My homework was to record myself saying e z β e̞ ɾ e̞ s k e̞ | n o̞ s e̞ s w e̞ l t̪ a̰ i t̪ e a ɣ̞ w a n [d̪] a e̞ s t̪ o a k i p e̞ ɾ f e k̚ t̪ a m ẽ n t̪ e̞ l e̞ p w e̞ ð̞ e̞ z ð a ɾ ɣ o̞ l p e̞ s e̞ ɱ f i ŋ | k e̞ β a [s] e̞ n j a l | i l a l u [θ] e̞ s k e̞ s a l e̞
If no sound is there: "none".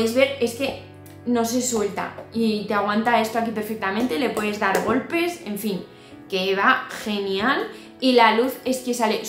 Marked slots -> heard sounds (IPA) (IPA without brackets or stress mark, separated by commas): t̪, x, θ